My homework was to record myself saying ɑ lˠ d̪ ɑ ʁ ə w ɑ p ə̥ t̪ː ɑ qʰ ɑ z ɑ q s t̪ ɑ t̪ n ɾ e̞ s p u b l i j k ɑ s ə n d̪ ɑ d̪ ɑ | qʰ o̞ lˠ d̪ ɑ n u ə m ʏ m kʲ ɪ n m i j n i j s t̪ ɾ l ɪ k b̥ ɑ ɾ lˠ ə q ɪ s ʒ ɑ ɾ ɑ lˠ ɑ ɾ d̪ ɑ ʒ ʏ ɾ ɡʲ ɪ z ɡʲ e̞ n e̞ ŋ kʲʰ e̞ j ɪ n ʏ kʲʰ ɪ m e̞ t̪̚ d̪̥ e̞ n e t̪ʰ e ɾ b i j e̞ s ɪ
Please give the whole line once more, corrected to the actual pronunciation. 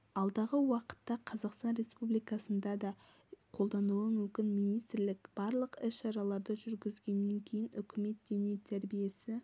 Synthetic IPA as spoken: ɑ lˠ d̪ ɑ ʁ ə w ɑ q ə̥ t̪ː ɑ qʰ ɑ z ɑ q s t̪ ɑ n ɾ e̞ s p u b l i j k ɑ s ə n d̪ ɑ d̪ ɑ | qʰ o̞ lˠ d̪ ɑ n u ə m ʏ m kʲ ɪ n m i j n i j s t̪ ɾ l ɪ k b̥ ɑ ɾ lˠ ə q ɪ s ʃ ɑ ɾ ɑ lˠ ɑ ɾ d̪ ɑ ʒ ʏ ɾ ɡʲ ɪ z ɡʲ e̞ nː e̞ ŋ kʲʰ e̞ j ɪ n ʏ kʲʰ ɪ m e̞ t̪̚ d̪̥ e̞ n e t̪ʰ æ ɾ b i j e̞ s ɪ